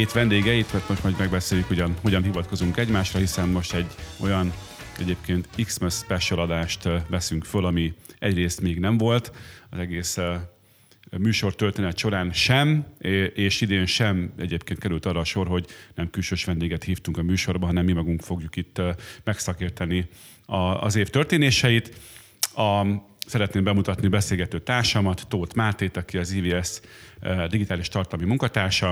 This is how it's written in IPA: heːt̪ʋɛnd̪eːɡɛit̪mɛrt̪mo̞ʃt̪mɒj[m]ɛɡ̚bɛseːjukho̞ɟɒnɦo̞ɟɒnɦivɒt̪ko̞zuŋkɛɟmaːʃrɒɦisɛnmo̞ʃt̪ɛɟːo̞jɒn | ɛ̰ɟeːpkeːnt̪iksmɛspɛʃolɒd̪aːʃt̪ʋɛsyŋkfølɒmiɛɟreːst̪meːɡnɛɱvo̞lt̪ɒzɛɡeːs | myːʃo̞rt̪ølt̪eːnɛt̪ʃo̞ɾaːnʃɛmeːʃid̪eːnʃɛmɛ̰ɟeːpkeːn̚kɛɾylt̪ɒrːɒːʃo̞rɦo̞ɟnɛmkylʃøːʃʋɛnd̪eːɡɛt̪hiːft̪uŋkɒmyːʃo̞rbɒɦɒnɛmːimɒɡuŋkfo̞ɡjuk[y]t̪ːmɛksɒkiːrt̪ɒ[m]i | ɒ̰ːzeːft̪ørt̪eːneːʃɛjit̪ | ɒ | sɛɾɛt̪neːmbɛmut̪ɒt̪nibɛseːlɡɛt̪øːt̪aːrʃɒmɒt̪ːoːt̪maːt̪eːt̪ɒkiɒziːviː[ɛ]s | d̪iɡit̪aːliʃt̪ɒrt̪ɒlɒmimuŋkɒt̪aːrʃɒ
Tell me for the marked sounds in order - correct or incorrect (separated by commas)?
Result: correct, incorrect, incorrect, correct